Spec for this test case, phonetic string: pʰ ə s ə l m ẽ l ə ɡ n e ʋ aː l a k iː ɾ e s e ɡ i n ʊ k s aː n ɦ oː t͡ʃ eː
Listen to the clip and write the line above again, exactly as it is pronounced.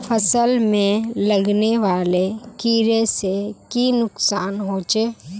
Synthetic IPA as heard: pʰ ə s ə l m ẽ l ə ɡ n e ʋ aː l e k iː ɾ e s e k i n ʊ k s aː n ɦ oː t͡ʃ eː